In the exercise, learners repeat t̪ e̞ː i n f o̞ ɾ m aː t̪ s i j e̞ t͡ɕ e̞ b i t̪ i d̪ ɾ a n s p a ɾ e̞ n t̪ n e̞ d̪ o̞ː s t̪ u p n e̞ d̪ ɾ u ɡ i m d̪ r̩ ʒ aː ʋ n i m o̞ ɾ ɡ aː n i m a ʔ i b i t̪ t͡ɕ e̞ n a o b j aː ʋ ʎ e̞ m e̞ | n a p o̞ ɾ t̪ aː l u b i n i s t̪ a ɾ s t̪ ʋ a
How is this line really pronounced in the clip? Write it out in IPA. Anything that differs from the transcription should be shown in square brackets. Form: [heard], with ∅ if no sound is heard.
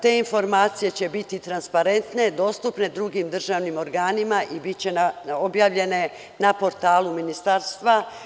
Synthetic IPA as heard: t̪ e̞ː i n f o̞ ɾ m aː t̪ s i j e̞ t͡ɕ e̞ b i t̪ i [t̪] ɾ a n s p a ɾ e̞ n t̪ n e̞ d̪ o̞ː s t̪ u p n e̞ d̪ ɾ u ɡ i m d̪ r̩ ʒ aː ʋ n i m o̞ ɾ ɡ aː n i m a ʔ i b i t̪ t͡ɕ e̞ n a o b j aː ʋ ʎ e̞ [n] e̞ | n a p o̞ ɾ t̪ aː l u [m] i n i s t̪ a ɾ s t̪ ʋ a